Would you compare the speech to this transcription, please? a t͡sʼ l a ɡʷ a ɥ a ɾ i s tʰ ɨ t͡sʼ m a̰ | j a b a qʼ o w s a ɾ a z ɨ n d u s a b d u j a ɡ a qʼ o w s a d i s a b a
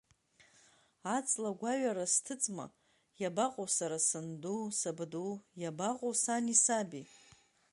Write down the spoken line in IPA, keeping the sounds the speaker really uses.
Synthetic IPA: a t͡sʼ l a ɡʷ a ɥ a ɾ a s tʰ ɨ t͡sʼ m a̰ | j a b a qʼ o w s a ɾ a s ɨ n d u s a b d u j a b a qʼ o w s a n i s a b i